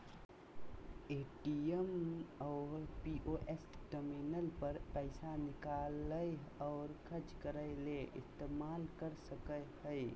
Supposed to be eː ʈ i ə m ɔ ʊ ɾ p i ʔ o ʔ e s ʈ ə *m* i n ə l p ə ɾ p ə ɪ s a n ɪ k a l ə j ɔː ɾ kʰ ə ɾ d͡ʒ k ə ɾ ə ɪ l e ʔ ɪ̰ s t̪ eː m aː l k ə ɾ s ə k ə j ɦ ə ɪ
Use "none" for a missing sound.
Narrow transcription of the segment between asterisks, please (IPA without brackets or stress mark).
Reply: m